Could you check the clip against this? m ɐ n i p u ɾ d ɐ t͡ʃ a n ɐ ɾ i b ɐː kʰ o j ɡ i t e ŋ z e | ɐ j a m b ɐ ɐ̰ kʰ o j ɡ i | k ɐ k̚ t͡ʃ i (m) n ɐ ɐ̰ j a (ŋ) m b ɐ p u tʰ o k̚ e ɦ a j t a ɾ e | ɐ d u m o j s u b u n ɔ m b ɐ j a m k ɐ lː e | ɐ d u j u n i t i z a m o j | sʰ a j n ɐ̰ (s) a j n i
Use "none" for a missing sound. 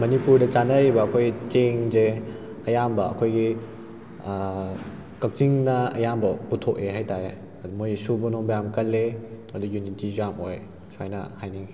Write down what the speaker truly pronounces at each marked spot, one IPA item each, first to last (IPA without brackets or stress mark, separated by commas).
ŋ, none, h